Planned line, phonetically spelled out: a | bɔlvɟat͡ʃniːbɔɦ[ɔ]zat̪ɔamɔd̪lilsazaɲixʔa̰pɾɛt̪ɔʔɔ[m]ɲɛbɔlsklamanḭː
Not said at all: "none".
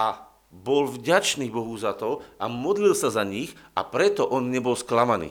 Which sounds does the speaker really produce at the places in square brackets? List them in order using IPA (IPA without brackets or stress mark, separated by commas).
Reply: u, n